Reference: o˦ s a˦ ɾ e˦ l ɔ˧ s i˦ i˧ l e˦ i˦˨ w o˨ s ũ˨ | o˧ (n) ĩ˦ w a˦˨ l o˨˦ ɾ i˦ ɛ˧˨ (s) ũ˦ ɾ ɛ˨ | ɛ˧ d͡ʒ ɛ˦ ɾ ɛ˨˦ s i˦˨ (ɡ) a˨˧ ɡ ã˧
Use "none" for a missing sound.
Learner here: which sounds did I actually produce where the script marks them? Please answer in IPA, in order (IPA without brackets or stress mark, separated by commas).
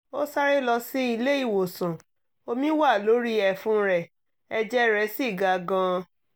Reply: m, f, ɡ